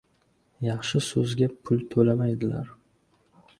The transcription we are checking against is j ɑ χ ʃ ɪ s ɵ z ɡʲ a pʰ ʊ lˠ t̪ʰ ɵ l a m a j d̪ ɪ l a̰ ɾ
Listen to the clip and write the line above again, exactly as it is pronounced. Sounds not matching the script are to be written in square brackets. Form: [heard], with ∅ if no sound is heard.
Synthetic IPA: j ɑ χ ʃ ɪ s ɵ z ɡʲ a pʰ ʊ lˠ t̪ʰ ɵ l a m a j d̪ ɪ l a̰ ɾ